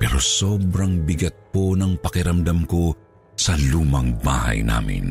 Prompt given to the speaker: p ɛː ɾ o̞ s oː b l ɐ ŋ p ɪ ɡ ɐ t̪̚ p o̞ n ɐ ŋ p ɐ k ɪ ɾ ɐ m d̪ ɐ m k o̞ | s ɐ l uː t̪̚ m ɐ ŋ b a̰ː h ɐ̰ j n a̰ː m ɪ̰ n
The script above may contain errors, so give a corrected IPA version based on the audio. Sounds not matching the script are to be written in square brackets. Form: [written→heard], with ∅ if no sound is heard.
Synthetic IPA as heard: p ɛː ɾ o̞ s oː b [l→ɾ] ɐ ŋ [p→b] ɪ ɡ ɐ t̪̚ p o̞ n ɐ ŋ p ɐ k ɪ ɾ ɐ m d̪ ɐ m k o̞ | s ɐ l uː [t̪̚→∅] m ɐ ŋ b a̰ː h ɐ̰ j n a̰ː m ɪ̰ n